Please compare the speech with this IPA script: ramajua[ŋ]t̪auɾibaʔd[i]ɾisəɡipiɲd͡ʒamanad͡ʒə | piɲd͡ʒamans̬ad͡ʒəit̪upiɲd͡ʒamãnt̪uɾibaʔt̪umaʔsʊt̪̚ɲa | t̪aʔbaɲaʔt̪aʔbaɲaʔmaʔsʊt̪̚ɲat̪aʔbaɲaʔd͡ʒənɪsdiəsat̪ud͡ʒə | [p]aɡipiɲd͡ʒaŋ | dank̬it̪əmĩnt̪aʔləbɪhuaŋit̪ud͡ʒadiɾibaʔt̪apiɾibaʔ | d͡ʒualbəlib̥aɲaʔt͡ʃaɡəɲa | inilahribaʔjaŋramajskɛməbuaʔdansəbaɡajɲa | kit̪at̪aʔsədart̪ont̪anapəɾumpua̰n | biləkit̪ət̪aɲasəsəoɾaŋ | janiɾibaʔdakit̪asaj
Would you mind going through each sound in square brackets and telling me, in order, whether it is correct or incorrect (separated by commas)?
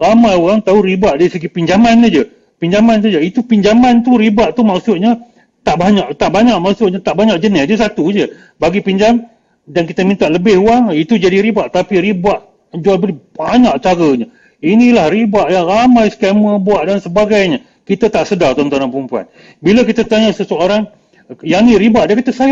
correct, incorrect, incorrect